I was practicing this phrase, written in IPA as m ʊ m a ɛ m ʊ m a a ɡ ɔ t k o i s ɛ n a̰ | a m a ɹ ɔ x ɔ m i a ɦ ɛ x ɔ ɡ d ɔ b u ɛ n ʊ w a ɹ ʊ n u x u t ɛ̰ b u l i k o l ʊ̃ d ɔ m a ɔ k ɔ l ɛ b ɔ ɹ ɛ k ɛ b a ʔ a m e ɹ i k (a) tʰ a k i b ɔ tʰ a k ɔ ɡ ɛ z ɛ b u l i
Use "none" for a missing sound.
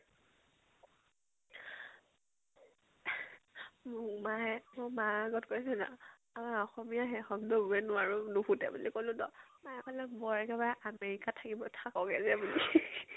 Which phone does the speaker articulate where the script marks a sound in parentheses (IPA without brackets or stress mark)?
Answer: a